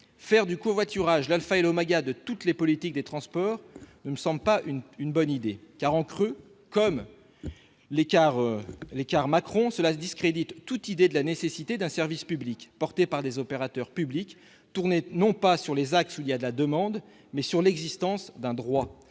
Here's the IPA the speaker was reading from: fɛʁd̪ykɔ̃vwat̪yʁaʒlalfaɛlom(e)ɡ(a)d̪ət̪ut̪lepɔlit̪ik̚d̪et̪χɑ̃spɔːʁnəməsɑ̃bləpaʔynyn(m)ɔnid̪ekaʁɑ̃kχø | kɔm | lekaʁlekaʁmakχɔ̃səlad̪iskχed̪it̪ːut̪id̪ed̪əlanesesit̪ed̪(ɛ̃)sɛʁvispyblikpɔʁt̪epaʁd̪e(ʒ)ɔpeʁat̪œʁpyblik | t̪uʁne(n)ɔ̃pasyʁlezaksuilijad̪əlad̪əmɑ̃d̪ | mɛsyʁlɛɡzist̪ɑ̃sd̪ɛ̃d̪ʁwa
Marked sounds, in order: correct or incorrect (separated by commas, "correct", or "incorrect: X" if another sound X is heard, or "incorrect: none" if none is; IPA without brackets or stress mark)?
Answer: incorrect: a, correct, incorrect: b, correct, incorrect: z, correct